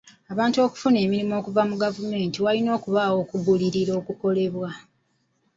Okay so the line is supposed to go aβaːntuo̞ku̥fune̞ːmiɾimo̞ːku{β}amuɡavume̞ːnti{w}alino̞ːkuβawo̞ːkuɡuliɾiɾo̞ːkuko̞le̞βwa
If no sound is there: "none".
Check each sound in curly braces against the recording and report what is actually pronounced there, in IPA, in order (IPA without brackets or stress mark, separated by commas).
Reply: v, w